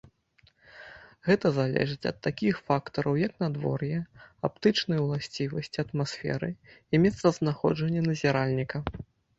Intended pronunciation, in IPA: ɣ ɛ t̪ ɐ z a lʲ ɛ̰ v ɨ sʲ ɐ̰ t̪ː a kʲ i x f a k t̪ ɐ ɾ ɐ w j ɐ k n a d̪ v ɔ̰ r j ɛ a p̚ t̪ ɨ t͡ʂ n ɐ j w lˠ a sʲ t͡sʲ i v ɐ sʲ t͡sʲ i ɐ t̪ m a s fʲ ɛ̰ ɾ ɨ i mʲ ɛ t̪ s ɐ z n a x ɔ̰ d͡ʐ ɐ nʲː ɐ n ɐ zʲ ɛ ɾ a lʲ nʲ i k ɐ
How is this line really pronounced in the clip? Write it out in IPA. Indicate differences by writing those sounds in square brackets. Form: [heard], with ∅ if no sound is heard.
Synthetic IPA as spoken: ɣ ɛ t̪ ɐ z a lʲ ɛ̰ [ʐ] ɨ [t͡sʲ] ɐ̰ t̪ː a kʲ i x f a k t̪ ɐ ɾ ɐ w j ɐ k n a d̪ v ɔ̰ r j ɛ a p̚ t̪ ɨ t͡ʂ n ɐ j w lˠ a sʲ t͡sʲ i v ɐ sʲ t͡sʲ i ɐ t̪ m a s fʲ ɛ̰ ɾ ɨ i mʲ ɛ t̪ s ɐ z n a x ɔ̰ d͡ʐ ɐ nʲː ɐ n ɐ zʲ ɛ ɾ a lʲ nʲ i k ɐ